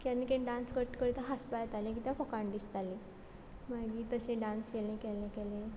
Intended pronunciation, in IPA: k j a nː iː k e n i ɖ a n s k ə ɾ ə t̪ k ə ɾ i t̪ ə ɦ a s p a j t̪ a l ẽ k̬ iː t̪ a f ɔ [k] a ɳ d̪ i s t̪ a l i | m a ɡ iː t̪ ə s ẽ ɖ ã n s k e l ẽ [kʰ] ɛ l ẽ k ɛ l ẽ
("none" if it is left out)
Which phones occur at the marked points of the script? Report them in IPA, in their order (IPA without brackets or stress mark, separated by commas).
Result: k, k